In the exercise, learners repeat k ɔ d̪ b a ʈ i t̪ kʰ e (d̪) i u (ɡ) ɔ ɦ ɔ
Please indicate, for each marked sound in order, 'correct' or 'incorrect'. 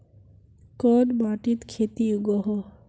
incorrect: t̪, correct

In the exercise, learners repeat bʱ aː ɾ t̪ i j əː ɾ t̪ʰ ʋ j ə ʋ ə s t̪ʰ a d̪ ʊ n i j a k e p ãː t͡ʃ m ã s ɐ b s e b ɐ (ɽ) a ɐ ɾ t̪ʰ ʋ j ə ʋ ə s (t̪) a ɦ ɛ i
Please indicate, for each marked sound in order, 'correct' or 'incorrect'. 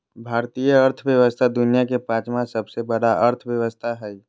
correct, incorrect: t̪ʰ

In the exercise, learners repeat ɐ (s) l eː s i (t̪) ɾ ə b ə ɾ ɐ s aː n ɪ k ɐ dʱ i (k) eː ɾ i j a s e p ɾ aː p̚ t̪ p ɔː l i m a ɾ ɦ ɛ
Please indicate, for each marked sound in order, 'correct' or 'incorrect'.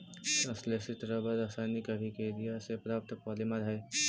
correct, correct, correct

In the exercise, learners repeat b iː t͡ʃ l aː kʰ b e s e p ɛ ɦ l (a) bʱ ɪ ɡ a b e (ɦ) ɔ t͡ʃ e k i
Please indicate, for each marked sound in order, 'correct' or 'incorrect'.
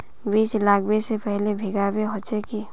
incorrect: e, correct

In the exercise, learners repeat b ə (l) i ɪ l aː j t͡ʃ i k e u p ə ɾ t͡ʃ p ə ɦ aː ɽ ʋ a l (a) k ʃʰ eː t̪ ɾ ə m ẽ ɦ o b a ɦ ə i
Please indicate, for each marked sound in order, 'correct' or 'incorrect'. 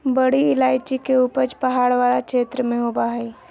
incorrect: ɽ, correct

